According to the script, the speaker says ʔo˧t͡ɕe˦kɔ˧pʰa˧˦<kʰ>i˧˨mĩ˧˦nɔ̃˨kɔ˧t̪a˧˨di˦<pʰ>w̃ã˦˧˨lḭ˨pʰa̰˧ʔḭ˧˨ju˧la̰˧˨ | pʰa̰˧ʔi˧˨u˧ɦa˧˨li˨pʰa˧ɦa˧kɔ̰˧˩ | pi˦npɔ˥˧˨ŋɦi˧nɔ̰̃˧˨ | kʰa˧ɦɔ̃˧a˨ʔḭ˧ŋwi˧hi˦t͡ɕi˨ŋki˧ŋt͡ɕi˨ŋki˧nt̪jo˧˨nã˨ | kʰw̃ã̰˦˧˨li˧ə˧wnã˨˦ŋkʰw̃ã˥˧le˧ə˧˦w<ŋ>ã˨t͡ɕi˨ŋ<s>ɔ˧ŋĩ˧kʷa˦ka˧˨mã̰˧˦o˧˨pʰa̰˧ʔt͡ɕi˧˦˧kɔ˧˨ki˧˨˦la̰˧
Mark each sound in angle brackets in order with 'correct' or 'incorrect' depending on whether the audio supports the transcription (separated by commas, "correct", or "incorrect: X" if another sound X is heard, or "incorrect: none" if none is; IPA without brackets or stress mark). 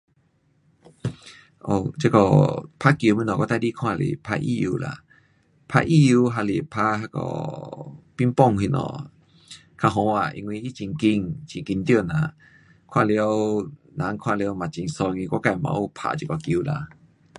incorrect: k, incorrect: kʰ, incorrect: m, correct